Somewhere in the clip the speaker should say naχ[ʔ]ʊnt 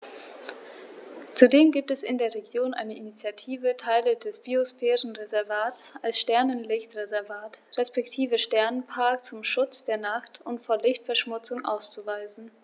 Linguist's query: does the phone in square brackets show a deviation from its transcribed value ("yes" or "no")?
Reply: yes